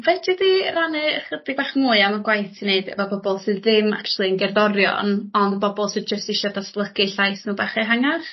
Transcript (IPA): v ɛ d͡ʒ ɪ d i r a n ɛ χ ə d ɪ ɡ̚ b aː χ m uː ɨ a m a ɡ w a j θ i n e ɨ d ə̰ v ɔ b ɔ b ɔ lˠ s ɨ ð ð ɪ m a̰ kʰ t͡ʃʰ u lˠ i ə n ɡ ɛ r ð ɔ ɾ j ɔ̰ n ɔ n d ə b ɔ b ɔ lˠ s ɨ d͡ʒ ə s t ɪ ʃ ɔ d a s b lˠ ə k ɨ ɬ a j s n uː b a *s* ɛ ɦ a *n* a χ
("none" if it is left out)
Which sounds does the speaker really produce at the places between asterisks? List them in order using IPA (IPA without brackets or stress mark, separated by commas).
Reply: χ, ŋ